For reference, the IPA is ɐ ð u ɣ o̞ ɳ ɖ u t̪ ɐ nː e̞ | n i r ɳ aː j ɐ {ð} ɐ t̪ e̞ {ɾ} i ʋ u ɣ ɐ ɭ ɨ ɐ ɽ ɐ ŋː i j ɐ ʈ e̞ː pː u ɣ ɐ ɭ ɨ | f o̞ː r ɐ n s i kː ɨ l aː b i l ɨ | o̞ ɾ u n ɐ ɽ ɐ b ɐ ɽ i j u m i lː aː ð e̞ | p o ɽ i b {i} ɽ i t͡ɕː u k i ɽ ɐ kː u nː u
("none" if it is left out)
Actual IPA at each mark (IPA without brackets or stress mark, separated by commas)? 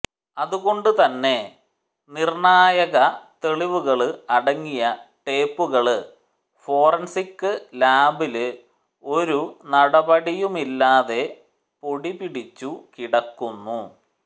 ɣ, ɭ, i